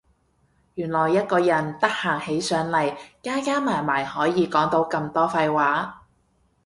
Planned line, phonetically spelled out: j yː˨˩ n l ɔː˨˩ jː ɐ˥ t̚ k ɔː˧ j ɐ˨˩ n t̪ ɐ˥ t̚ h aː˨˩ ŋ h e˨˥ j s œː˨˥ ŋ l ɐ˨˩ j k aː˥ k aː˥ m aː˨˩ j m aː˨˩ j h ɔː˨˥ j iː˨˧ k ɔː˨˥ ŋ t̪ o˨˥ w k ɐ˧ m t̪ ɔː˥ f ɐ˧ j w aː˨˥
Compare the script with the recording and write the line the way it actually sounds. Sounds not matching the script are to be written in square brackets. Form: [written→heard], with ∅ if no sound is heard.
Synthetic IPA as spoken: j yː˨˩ n l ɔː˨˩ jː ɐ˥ t̚ k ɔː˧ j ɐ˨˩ n t̪ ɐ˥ [t̚→k̚] h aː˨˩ ŋ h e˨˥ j s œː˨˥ ŋ l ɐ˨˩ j k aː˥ k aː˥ m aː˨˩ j m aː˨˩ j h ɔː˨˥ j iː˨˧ k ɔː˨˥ ŋ t̪ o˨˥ w k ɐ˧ m t̪ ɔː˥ f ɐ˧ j w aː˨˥